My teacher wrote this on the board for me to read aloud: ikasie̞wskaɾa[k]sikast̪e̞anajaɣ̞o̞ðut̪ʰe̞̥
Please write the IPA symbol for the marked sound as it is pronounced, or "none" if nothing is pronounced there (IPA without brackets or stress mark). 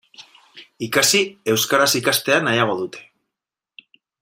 none